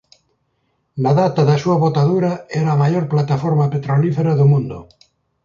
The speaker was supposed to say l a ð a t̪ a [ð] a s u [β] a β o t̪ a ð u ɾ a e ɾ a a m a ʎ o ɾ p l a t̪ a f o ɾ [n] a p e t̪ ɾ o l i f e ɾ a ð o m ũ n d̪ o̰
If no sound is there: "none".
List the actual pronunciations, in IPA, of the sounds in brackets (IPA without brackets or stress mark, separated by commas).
ð, none, m